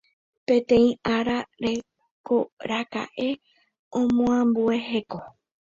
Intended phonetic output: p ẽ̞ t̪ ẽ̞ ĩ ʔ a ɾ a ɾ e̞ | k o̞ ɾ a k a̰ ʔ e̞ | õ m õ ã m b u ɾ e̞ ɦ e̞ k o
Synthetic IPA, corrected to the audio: p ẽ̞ t̪ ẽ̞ ĩ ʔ a ɾ a ɾ e̞ | k o̞ ɾ a k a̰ ʔ e̞ | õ m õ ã m b u e̞ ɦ e̞ k o